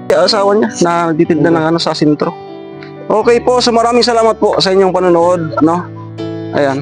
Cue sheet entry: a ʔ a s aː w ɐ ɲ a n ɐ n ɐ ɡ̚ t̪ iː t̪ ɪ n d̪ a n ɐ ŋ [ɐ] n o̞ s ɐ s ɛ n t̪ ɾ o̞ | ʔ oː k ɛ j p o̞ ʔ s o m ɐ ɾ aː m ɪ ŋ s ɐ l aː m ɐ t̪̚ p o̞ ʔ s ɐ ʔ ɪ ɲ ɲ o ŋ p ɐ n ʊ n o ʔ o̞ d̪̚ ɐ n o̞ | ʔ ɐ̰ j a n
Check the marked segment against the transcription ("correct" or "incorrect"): correct